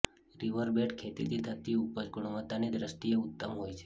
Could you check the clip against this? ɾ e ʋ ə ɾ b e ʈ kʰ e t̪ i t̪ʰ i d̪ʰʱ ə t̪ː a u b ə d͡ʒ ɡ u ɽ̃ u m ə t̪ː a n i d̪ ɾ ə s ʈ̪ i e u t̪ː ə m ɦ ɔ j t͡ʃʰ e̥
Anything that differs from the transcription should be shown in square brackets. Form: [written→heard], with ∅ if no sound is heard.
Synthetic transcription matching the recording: ɾ [e→i] ʋ ə ɾ b e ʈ kʰ e t̪ i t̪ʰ i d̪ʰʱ ə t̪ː [a→i] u [b→p] ə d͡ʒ ɡ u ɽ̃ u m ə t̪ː a n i d̪ ɾ ə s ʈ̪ i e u t̪ː ə m ɦ [ɔ→o] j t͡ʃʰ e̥